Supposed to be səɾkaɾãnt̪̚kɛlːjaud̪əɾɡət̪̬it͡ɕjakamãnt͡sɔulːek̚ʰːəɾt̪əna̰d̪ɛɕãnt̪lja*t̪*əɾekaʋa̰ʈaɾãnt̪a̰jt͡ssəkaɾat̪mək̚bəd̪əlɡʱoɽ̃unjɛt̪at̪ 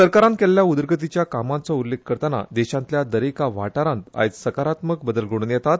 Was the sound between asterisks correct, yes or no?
no